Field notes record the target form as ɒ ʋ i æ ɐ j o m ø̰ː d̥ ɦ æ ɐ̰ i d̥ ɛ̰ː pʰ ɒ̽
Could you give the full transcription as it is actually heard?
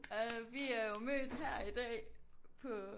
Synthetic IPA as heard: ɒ ʋ i æ ɐ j o m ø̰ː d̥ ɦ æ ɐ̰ i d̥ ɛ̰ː pʰ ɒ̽